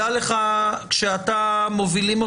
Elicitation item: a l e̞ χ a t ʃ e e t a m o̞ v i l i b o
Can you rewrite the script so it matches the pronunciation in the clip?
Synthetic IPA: a l e̞ χ a k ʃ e a t a m o̞ v i l i m o